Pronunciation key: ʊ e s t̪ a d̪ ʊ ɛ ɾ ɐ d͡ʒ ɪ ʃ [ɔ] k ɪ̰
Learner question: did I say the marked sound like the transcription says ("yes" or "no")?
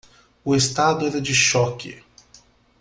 yes